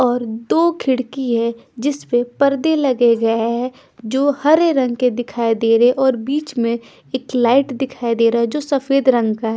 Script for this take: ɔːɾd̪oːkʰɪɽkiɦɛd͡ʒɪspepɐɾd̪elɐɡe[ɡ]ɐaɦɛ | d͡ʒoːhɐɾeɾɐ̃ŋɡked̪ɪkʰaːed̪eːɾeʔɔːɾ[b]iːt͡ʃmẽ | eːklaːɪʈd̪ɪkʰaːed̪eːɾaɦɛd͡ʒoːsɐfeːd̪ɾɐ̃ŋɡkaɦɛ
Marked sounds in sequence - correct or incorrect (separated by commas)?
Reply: correct, correct